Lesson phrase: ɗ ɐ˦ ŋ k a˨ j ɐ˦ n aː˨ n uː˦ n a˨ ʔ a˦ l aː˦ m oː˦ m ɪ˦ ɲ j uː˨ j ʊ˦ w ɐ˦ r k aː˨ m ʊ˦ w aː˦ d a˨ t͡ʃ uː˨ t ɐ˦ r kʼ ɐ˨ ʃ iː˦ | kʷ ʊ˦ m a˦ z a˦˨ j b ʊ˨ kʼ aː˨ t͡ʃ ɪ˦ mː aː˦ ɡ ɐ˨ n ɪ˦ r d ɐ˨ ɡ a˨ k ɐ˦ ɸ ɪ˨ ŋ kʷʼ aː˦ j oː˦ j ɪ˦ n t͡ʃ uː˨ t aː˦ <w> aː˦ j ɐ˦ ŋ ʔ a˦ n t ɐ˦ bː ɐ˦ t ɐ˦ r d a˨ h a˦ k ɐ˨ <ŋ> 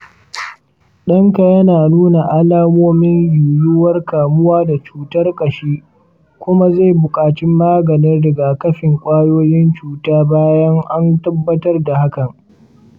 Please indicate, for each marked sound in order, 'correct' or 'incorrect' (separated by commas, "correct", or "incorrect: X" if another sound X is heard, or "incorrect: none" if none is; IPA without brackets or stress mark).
incorrect: b, correct